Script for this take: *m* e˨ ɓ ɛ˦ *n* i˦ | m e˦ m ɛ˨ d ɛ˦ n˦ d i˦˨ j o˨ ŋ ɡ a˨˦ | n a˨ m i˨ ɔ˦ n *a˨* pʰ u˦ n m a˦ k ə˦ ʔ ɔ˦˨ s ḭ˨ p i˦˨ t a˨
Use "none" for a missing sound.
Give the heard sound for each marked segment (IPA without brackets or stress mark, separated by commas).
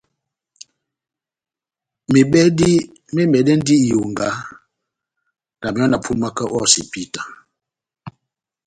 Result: m, d, a˨